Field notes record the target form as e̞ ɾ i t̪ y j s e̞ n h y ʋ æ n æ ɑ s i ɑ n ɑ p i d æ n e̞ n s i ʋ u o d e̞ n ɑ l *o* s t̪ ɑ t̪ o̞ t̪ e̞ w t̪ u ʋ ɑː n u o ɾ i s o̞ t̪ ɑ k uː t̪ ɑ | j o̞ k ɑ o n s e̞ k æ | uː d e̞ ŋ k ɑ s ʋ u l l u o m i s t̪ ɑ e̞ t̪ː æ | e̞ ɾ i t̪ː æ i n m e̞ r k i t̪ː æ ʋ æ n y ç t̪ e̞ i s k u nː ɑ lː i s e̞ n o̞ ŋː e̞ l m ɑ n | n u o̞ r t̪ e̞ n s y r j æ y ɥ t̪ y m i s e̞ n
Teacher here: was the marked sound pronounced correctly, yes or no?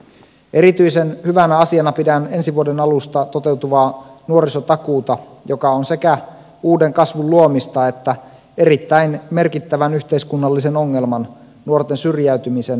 no